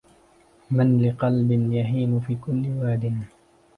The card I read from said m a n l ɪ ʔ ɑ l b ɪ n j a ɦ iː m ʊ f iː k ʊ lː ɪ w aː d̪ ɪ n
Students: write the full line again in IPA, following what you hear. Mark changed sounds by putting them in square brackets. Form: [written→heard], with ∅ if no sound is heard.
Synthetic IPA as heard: m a n l ɪ [ʔ→q] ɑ l b ɪ n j a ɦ iː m ʊ f iː k ʊ lː ɪ w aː d̪ ɪ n